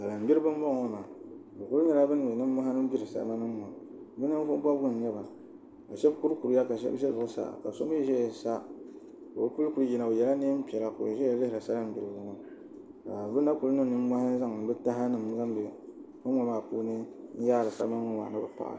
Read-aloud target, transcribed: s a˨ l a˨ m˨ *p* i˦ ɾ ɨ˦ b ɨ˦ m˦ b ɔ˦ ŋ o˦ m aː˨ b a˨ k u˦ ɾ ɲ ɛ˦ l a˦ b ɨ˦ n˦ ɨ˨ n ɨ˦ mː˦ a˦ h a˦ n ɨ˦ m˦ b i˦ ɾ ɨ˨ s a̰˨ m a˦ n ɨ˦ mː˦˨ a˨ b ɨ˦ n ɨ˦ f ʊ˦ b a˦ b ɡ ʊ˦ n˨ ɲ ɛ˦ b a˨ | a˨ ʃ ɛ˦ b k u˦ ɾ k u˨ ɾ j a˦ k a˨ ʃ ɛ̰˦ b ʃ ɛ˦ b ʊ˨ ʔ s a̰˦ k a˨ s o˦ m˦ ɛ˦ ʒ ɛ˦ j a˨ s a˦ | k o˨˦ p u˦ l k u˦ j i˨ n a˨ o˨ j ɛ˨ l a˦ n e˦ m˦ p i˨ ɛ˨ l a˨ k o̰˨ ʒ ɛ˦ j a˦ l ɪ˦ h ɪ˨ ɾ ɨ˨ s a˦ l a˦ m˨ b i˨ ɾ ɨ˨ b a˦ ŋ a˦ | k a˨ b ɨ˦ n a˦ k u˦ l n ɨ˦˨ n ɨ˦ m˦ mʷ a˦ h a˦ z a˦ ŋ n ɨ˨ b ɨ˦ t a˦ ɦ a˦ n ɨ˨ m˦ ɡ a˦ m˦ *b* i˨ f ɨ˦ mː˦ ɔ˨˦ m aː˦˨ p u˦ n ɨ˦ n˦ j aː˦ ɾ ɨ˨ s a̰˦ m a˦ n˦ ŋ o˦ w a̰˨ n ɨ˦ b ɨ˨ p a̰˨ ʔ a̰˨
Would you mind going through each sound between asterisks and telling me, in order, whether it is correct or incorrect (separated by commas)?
incorrect, correct